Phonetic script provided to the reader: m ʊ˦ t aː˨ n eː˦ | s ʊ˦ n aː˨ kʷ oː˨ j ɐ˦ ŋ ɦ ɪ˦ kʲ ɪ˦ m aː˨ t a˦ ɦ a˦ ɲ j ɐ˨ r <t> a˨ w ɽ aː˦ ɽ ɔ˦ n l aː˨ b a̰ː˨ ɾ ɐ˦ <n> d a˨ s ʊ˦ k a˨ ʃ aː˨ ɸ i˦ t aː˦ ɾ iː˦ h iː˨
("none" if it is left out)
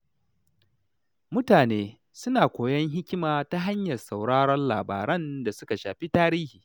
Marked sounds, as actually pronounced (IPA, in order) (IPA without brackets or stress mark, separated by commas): s, n